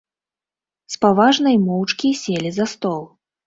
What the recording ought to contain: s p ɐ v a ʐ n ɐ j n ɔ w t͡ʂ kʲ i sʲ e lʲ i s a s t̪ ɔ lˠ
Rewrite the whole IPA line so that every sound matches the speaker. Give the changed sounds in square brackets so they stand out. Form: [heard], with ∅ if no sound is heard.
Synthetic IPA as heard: s p [a] v a ʐ n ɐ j [m] ɔ w t͡ʂ kʲ i sʲ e lʲ i [z] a s t̪ ɔ lˠ